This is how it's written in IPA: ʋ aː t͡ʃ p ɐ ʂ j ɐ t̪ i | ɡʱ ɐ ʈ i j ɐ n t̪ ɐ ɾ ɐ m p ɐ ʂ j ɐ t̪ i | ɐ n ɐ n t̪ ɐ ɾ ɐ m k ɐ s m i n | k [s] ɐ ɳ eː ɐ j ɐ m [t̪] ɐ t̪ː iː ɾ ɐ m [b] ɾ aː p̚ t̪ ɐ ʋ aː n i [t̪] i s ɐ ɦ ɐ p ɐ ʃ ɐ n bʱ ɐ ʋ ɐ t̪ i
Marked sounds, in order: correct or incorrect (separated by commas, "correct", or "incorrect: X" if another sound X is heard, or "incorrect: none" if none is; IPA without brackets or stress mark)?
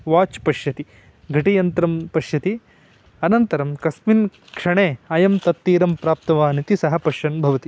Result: incorrect: ʂ, correct, incorrect: p, correct